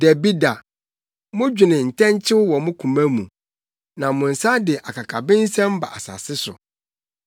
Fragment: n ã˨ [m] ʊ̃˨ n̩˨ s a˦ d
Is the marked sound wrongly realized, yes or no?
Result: no